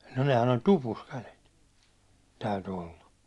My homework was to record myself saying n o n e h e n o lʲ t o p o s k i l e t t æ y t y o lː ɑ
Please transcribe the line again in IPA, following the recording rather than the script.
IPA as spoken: n o n e h æ n o lʲ t u p u s k æ l e t t æ y t y o lː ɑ